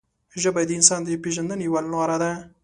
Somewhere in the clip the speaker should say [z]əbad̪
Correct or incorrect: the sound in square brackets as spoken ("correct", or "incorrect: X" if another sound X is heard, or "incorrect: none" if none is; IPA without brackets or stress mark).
incorrect: ʒ